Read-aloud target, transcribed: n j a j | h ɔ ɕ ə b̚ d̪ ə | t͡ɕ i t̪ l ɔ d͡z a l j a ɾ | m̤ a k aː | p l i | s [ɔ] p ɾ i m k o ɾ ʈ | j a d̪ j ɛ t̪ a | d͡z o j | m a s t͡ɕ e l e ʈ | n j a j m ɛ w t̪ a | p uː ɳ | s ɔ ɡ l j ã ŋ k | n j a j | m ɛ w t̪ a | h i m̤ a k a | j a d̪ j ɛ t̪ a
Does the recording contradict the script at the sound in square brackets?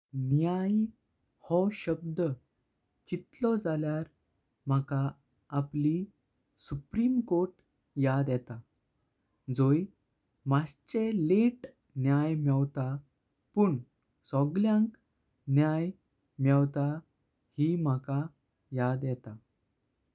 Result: yes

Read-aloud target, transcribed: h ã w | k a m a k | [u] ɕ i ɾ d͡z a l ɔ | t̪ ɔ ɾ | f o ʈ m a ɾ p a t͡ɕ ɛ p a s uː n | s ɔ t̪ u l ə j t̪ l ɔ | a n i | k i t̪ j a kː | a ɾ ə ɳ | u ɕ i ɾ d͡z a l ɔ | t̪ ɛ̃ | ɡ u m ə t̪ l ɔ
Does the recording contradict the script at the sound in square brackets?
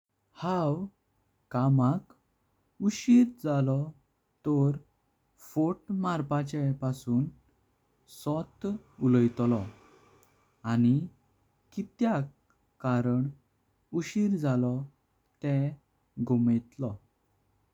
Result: no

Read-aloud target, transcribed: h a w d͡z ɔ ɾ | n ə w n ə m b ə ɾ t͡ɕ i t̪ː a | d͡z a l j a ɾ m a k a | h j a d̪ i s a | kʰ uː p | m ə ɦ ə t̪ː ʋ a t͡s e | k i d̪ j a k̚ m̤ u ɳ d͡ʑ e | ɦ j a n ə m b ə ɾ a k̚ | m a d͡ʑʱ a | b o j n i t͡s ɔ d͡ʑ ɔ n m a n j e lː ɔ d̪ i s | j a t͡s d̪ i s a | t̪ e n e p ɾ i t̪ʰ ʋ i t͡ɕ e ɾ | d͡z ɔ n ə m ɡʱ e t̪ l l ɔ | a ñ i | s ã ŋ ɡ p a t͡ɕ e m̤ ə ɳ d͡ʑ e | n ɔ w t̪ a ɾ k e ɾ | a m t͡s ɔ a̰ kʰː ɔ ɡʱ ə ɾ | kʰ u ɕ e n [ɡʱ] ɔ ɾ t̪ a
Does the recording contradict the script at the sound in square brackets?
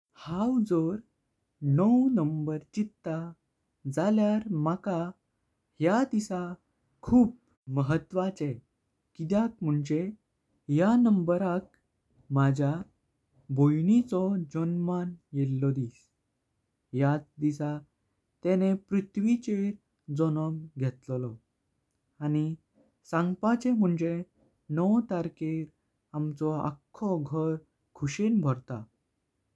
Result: yes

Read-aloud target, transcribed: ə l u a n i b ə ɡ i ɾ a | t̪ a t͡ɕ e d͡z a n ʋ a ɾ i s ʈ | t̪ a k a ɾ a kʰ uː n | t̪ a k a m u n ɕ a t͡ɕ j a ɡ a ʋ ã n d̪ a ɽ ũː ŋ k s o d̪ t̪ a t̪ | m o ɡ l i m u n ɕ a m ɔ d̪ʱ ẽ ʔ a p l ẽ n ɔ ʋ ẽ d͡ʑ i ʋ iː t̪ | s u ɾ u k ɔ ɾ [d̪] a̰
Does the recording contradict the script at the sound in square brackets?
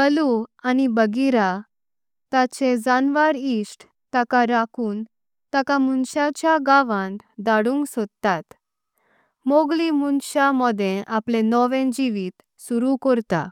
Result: yes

